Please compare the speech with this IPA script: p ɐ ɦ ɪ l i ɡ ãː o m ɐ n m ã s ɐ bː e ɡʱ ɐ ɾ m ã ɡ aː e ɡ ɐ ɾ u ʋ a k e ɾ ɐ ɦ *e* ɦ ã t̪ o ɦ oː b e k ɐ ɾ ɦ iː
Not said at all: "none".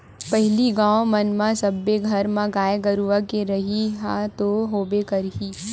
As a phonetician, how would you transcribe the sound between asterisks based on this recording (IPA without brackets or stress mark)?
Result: i